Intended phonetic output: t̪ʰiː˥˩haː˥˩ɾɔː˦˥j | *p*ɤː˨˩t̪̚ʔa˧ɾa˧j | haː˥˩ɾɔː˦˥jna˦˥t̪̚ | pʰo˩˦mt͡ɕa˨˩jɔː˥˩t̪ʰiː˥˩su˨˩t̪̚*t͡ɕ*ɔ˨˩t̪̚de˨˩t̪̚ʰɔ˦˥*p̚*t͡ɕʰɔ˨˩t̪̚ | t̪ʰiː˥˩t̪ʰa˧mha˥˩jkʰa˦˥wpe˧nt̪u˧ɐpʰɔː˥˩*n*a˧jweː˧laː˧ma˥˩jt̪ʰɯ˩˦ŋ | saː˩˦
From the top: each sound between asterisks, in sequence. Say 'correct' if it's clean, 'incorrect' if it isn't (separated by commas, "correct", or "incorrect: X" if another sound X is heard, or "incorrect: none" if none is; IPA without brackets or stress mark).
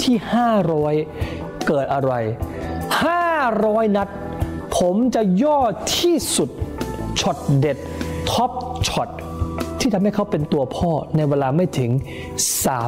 incorrect: k, incorrect: t͡ɕʰ, correct, correct